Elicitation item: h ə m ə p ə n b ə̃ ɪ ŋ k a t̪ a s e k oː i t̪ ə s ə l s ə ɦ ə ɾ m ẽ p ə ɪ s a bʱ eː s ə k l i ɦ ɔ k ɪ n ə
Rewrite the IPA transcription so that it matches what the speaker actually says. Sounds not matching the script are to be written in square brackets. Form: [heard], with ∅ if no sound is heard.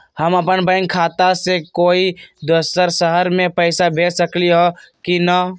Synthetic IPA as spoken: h ə m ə p ə n b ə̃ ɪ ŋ [kʰ] a t̪ a s e k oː i [d̪] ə s ə [ɾ] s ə ɦ ə ɾ m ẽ p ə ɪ s a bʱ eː s ə k l i ɦ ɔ k [i] n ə